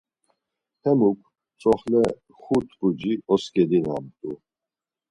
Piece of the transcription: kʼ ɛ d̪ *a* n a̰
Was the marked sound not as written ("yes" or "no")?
yes